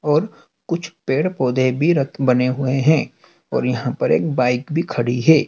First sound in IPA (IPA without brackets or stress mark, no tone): ɔː